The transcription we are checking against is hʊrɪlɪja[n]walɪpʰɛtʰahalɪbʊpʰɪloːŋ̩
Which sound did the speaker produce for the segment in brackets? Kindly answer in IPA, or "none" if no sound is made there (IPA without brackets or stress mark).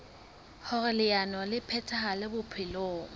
n